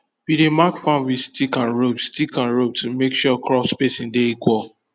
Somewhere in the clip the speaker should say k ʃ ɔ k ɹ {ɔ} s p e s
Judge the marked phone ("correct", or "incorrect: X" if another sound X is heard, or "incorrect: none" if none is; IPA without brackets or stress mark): correct